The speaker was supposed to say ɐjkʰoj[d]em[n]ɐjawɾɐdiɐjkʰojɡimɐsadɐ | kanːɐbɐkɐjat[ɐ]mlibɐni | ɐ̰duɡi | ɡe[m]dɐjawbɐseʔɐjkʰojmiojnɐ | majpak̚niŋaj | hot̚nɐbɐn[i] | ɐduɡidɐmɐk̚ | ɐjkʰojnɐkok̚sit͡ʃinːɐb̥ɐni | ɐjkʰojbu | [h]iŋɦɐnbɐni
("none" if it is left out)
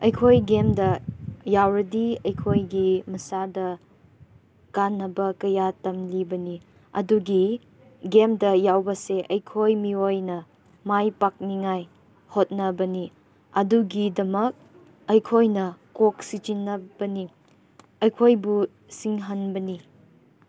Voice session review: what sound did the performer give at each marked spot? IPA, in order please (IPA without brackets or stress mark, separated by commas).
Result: ɡ, d, ɐ, m, i, s